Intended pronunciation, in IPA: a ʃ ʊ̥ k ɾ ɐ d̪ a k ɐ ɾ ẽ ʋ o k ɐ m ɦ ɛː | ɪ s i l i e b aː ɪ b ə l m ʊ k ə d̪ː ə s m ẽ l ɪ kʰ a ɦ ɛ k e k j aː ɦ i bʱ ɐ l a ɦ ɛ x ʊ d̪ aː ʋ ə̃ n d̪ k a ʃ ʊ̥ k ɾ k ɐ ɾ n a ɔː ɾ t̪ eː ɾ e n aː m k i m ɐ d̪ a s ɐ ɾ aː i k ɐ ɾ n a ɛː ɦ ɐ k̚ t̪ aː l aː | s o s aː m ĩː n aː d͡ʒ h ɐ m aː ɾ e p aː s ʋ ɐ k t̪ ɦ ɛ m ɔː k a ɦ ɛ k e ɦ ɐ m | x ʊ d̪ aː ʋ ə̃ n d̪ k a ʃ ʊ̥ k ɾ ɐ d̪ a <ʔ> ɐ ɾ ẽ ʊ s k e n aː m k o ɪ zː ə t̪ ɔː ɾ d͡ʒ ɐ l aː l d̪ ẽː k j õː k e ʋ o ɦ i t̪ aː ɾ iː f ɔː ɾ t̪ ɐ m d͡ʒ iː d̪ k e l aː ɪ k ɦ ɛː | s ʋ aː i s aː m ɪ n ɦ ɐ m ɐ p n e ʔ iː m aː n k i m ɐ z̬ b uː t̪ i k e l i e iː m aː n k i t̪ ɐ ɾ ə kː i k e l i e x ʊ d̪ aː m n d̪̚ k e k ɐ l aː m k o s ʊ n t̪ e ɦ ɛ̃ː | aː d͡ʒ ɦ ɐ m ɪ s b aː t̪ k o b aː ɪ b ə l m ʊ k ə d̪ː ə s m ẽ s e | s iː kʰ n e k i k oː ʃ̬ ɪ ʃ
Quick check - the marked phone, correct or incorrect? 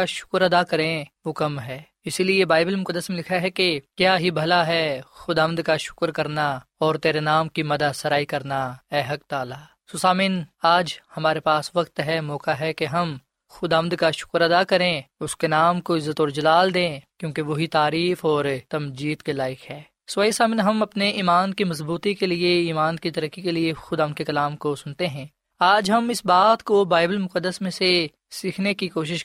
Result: incorrect